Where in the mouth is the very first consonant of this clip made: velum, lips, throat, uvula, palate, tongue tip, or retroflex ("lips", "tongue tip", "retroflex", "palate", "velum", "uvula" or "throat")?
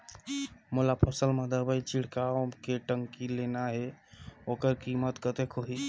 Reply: lips